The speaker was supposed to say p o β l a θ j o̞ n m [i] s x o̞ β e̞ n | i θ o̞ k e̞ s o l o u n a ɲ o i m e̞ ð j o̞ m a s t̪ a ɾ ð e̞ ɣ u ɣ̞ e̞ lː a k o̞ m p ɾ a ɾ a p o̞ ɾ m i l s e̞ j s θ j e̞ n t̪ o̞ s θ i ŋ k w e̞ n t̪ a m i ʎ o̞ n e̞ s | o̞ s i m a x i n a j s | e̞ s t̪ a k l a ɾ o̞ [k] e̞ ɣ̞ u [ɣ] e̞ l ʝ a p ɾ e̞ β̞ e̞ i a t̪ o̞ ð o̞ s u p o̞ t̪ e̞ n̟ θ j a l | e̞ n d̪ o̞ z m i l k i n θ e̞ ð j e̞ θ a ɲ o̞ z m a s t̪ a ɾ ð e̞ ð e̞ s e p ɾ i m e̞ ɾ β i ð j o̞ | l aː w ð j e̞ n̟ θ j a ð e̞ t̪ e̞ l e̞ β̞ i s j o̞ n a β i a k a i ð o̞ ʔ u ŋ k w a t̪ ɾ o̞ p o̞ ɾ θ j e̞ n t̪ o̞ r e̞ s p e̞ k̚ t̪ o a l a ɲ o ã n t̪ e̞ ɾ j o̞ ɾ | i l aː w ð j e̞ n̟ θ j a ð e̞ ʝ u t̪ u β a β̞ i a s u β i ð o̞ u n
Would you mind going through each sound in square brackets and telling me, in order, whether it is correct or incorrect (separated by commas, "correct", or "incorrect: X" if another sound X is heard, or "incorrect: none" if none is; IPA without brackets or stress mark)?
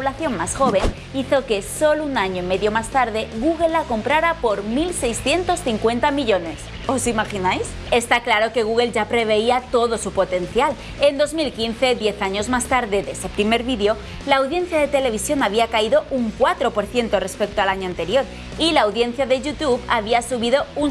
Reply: incorrect: a, correct, correct